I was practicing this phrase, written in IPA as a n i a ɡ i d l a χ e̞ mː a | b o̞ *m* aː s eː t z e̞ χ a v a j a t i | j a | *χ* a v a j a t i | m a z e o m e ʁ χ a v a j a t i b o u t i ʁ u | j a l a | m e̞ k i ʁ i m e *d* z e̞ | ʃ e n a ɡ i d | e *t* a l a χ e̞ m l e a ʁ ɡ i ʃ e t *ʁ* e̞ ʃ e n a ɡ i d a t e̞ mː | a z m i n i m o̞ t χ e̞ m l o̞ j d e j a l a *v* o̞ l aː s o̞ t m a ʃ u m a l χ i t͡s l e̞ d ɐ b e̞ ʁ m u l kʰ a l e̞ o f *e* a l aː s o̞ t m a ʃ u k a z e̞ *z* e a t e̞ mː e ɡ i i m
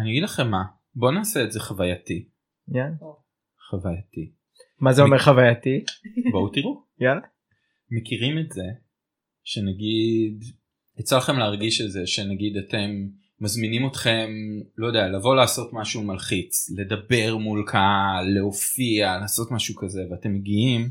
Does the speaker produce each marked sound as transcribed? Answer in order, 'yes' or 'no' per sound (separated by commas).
no, yes, no, no, no, yes, no, no